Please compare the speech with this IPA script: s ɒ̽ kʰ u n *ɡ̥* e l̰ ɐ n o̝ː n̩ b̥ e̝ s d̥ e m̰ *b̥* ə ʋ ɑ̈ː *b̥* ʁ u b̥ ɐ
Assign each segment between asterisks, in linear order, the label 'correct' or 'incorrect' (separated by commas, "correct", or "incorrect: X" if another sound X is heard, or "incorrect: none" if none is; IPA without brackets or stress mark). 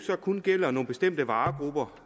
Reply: correct, incorrect: d̥, incorrect: ɡ̥